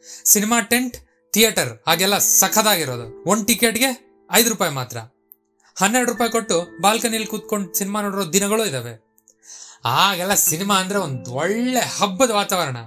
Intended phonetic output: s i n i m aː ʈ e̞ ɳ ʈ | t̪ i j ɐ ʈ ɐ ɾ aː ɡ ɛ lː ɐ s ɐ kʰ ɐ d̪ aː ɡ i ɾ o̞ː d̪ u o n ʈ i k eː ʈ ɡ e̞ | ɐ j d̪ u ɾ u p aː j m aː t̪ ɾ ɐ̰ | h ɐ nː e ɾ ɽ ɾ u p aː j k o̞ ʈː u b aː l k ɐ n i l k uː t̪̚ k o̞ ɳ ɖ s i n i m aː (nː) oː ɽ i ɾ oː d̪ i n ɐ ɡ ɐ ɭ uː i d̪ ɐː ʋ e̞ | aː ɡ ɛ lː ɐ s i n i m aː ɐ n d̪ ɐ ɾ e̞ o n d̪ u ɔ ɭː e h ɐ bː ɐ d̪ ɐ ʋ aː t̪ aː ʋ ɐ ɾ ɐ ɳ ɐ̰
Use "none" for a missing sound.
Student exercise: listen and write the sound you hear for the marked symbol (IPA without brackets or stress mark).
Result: n